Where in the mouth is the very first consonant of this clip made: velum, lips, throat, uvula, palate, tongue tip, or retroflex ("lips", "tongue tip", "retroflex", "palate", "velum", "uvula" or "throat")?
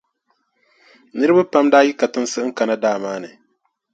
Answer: tongue tip